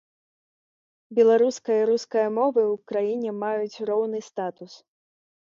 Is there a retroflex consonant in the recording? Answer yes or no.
no